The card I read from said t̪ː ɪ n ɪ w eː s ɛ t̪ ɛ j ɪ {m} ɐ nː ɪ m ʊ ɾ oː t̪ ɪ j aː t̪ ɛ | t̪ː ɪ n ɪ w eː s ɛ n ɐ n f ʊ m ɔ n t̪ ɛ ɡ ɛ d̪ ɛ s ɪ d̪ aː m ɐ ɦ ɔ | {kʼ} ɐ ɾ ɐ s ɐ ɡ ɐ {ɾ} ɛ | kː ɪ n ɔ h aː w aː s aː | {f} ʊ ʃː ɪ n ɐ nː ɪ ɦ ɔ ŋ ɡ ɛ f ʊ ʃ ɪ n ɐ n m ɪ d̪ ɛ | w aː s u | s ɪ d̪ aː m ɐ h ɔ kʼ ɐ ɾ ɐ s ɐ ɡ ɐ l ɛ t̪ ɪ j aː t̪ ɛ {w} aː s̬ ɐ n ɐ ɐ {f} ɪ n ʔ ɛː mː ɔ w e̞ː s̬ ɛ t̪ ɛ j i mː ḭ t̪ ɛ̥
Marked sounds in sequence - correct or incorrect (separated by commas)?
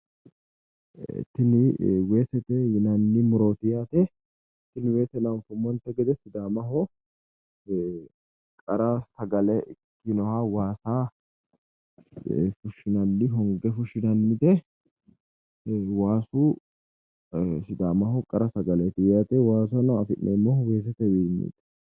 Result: incorrect, correct, incorrect, correct, correct, correct